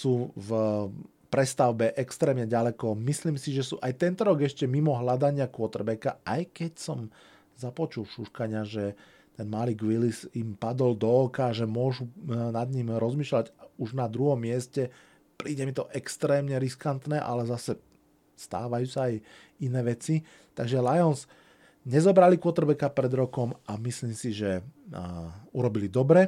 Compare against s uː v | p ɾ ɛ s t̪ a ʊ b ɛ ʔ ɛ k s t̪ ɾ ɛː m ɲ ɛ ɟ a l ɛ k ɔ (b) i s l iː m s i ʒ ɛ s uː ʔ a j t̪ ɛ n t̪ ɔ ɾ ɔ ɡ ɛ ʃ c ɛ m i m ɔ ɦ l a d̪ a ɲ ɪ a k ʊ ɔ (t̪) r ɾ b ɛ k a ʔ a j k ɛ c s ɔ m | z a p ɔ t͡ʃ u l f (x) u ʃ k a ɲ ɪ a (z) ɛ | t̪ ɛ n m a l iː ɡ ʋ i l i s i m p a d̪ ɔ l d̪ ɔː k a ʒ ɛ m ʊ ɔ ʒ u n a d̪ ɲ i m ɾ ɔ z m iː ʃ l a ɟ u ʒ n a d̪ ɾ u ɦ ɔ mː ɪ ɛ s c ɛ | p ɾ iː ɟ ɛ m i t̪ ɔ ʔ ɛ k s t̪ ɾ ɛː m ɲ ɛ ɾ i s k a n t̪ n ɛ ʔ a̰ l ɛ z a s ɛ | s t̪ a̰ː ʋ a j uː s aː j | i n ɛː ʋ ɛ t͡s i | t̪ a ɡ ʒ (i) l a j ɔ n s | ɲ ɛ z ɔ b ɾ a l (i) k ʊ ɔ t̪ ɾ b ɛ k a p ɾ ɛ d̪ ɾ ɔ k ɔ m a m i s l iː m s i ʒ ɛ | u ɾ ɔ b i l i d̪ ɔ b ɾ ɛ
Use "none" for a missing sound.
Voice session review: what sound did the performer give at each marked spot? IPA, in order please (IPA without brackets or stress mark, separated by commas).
m, t̪, ʃ, ʒ, ɛ, i